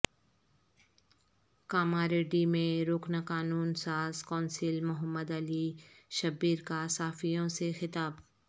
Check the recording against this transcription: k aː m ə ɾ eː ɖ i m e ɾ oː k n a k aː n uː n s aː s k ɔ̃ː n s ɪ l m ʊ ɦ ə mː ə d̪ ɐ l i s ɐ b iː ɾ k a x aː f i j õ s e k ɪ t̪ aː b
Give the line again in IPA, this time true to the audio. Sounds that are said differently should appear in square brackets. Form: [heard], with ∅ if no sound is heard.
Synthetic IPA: k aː m [a] ɾ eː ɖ i m [ẽ] ɾ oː k n a k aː n uː n s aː [z] k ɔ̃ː n s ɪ l m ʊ ɦ ə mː ə d̪ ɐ l i [ʃ] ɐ b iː ɾ k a [s] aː f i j õ s e [x] ɪ t̪ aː b